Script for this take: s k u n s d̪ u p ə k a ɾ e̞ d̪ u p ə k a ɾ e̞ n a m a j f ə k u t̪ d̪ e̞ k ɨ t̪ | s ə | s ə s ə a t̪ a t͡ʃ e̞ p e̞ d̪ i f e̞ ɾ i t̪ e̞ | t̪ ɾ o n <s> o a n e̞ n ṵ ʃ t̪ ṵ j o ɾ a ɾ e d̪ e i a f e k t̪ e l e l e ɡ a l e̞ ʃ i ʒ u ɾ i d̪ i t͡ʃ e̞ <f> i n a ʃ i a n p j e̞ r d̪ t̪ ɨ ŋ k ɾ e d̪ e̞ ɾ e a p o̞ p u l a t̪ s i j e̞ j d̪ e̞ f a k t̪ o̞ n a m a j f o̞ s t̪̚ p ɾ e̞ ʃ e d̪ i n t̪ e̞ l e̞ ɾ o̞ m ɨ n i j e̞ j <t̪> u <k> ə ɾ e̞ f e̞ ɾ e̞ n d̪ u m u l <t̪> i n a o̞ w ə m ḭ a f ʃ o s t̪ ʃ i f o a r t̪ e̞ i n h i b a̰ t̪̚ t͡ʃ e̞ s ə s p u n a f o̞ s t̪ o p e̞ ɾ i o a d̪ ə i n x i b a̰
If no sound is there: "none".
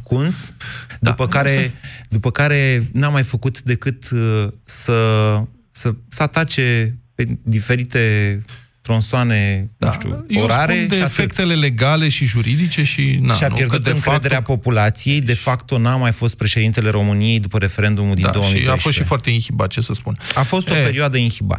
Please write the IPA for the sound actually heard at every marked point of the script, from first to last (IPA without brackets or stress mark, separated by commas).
s, ʃ, d̪, p, d̪